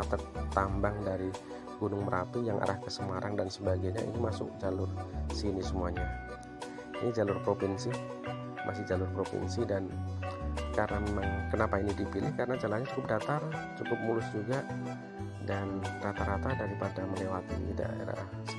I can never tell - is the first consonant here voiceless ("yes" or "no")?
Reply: yes